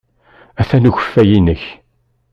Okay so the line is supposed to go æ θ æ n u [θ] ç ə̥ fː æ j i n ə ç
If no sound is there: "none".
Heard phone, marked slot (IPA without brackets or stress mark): none